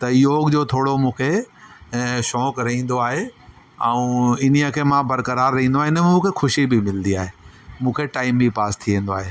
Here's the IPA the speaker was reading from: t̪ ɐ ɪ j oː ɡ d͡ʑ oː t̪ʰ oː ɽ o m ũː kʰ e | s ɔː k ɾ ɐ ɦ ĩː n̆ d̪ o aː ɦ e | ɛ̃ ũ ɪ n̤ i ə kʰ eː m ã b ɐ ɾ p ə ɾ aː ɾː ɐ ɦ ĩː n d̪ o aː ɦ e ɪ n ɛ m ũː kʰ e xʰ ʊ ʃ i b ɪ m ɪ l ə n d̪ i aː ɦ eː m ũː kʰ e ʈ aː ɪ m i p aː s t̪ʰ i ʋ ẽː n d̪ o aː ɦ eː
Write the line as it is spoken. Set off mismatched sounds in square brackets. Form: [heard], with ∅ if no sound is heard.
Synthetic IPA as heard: t̪ ɐ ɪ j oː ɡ d͡ʑ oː t̪ʰ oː ɽ o m ũː kʰ e | [ʃ] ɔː k ɾ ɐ ɦ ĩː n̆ d̪ o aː ɦ e | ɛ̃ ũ ɪ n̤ i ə kʰ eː m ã b ɐ ɾ [k] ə ɾ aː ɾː ɐ ɦ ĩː n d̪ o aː ɦ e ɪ n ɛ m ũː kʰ e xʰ ʊ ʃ i b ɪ m ɪ l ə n d̪ i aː ɦ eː m ũː kʰ e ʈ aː ɪ m i p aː s t̪ʰ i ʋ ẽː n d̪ o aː ɦ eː